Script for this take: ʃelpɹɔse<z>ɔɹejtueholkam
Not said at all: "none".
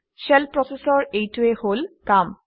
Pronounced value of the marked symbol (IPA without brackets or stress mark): s